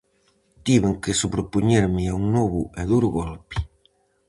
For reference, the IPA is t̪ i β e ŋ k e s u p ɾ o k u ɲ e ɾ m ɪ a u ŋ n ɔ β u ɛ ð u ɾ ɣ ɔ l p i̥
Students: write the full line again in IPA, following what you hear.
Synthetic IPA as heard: t̪ i β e ŋ k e s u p ɾ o p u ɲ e ɾ m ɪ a u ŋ n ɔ β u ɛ ð u ɾ ɣ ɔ l p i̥

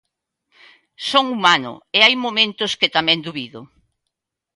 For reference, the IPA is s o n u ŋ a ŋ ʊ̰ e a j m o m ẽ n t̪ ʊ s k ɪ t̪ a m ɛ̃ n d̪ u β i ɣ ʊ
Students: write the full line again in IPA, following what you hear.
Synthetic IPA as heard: s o ŋ u m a n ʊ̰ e a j m o m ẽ n t̪ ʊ s k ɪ t̪ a m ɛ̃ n d̪ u β i ð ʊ

